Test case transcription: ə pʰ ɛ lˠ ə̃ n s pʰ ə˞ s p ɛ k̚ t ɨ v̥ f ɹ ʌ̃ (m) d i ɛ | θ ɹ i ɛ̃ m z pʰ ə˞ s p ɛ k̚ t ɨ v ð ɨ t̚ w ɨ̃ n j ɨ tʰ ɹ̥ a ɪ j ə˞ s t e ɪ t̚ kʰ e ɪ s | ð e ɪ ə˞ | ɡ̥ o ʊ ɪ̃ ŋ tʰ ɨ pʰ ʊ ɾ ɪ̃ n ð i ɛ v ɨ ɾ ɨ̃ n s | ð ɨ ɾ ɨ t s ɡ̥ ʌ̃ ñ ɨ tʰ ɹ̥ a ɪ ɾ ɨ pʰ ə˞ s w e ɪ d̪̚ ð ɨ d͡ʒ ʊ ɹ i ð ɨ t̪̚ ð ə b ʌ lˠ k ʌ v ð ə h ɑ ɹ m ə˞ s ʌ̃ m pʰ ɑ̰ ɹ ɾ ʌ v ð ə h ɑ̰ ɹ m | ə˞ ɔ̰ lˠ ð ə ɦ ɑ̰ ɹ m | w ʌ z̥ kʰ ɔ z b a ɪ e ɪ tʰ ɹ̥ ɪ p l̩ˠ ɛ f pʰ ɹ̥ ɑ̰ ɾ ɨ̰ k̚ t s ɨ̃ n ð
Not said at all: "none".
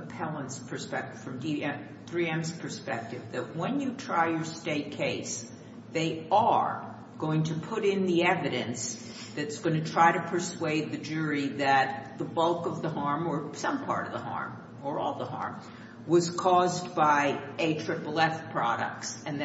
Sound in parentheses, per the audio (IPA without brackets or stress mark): m